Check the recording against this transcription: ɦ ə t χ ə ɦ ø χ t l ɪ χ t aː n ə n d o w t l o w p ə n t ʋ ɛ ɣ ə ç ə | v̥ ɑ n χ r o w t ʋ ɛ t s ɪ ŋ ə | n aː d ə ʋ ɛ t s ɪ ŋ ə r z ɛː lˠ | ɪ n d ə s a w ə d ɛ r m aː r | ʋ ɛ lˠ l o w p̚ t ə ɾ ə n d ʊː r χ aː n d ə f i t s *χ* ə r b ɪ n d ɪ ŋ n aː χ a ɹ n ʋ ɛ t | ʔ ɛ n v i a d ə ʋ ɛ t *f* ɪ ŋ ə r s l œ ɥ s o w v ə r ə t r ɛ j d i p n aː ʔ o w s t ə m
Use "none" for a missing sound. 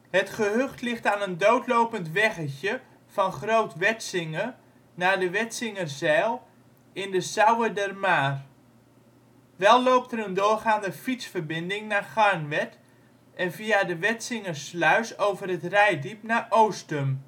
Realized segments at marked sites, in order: f, s

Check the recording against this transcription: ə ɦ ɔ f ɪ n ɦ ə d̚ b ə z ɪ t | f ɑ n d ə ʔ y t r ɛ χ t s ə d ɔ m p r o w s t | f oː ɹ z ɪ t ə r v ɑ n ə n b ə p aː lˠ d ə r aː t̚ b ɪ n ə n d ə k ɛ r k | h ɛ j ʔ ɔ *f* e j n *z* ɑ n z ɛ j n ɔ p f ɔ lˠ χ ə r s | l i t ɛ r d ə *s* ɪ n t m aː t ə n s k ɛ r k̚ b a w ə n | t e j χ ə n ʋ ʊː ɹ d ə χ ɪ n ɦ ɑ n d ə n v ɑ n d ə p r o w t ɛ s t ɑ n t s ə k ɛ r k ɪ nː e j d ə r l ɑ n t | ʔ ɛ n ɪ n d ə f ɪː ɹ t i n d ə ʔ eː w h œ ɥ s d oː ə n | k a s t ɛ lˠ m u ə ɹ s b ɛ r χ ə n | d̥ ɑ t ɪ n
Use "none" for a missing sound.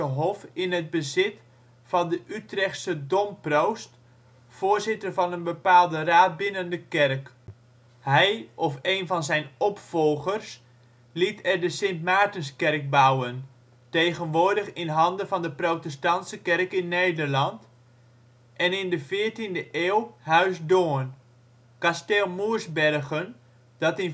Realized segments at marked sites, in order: f, v, s

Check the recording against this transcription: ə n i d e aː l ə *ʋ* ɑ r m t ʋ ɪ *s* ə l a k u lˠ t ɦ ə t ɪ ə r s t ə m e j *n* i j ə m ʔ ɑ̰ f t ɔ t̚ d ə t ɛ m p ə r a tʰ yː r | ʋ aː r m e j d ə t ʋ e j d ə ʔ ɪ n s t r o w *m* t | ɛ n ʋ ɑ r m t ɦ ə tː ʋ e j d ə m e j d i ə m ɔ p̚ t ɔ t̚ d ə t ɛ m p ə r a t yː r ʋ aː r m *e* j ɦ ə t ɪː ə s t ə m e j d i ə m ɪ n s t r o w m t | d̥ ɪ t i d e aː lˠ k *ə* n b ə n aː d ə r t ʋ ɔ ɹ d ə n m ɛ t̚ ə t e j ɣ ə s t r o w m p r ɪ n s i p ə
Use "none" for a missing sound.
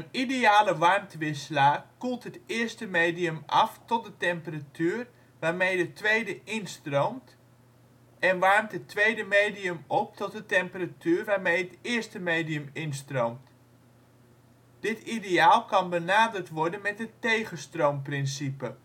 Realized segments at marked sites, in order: ʋ, s, d, m, e, ɑ

